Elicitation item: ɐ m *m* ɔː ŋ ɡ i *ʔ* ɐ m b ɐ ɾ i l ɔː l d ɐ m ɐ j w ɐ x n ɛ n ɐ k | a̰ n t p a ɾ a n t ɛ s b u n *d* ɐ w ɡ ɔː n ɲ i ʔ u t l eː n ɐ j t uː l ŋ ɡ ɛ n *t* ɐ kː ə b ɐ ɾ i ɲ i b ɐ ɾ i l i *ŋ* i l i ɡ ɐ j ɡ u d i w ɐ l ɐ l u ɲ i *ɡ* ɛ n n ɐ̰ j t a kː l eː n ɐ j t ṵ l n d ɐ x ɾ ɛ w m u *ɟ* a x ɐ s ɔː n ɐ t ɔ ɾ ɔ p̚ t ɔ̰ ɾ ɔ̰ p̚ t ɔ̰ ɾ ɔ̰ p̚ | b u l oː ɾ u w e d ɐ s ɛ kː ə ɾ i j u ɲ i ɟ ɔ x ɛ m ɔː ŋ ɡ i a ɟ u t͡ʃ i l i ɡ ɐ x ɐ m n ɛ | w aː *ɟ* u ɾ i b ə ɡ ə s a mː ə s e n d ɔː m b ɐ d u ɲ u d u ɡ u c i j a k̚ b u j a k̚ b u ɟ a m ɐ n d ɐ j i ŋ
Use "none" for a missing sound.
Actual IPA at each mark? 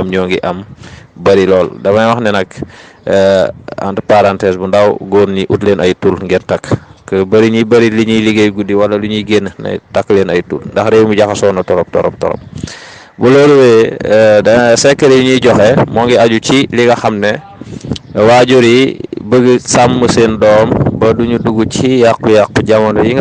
ɲ, ʔ, d, t, ɲ, ɡ, ɟ, ɟ

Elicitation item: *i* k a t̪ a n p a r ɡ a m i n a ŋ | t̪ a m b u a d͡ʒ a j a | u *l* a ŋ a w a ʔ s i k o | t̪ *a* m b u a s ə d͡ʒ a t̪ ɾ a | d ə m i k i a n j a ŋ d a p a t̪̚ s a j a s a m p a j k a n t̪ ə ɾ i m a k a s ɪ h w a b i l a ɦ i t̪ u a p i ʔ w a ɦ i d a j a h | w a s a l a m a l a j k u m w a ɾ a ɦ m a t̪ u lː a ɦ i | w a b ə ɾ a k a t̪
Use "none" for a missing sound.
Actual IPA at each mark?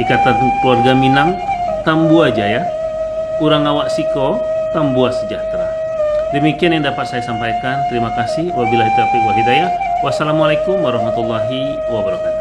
i, ɾ, a

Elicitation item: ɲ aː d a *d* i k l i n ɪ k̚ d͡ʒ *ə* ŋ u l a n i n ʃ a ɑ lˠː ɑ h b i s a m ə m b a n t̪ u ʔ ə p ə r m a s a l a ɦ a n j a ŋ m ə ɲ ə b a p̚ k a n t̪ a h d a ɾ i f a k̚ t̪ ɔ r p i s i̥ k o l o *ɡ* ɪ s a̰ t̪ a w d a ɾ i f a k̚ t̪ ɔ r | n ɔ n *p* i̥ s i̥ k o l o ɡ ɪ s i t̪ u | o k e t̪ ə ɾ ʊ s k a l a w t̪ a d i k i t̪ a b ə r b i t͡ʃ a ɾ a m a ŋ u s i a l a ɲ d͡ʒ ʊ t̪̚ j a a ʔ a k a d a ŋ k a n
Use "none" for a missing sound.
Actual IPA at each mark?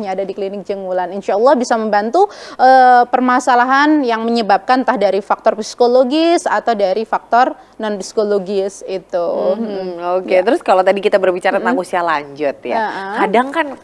d, ə, ɡ, p

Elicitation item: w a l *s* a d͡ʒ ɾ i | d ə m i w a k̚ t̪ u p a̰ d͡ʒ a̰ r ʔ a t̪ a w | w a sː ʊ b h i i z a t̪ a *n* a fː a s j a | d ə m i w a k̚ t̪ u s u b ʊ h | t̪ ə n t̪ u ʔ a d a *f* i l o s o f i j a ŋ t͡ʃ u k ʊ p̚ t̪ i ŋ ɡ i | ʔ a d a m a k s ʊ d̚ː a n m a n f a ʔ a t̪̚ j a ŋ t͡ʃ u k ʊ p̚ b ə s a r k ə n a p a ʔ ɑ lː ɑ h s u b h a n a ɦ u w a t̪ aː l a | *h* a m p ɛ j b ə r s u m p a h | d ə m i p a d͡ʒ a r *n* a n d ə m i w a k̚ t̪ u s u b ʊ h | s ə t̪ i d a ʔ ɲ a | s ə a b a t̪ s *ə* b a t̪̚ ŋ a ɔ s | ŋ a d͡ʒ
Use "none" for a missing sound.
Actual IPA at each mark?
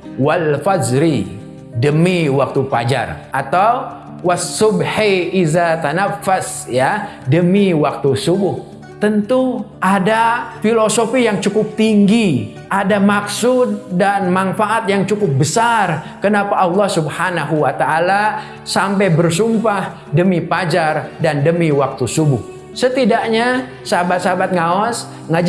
f, n, f, s, d, a

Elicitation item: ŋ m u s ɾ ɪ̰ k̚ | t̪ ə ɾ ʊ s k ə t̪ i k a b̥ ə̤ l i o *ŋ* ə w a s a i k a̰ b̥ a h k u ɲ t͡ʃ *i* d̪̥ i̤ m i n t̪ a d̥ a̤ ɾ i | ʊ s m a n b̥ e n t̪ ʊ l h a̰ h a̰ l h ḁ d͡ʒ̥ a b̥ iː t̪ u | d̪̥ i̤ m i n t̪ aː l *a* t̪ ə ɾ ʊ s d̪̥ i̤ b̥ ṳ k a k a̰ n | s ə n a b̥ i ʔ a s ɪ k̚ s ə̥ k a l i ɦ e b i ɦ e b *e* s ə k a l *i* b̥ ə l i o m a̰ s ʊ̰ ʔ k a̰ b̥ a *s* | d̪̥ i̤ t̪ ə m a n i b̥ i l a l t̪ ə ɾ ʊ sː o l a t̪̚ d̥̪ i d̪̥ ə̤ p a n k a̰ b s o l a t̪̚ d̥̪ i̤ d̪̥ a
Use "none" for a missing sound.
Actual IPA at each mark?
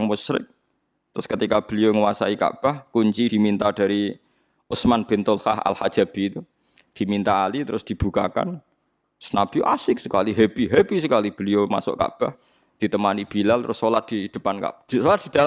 ŋ, i, i, i, i, h

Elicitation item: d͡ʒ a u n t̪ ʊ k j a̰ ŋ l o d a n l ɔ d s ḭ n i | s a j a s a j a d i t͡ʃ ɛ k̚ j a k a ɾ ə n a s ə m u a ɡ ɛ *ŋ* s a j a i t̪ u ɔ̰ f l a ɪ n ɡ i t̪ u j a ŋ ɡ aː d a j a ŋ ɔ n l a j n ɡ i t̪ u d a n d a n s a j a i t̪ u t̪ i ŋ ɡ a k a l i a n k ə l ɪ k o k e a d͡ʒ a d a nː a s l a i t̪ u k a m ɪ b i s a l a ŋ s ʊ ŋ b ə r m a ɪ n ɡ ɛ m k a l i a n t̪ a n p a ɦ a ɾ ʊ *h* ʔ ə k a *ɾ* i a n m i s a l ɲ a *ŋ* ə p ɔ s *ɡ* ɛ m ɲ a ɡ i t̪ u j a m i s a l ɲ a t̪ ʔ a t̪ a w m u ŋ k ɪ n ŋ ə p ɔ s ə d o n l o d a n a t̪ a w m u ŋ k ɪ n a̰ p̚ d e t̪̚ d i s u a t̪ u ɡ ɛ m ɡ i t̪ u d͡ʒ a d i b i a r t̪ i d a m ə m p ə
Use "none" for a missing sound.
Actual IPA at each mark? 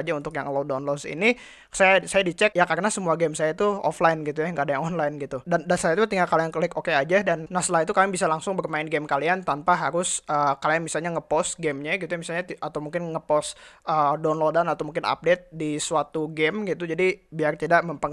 m, s, l, ŋ, ɡ

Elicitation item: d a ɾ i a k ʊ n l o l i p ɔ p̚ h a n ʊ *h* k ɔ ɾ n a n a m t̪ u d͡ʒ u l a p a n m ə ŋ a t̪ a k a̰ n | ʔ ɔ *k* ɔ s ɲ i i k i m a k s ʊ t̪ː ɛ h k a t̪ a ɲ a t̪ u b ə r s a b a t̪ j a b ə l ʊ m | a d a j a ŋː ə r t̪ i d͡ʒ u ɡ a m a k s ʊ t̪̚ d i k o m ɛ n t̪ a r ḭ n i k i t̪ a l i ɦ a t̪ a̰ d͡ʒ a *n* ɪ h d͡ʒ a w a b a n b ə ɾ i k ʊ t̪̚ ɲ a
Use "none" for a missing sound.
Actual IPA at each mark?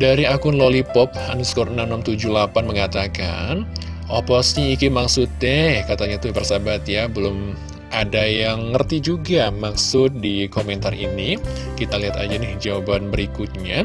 s, p, n

